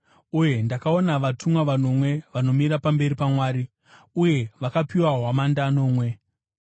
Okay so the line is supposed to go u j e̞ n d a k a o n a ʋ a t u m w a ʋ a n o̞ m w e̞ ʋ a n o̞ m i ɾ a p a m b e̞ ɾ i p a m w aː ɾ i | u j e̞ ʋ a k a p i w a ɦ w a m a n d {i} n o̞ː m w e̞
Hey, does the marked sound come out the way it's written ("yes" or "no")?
no